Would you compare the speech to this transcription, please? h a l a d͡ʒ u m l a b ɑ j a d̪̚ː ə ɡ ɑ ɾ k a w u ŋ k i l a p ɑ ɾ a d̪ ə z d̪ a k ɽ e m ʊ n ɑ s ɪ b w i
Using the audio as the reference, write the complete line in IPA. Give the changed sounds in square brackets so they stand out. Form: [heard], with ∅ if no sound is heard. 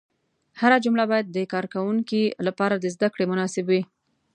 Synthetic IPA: h a [ɾ] a d͡ʒ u m l a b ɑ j a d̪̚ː ə [k] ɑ ɾ k a w u ŋ k i l a p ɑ ɾ a d̪ ə z d̪ a k ɽ e m ʊ n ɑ s ɪ b w i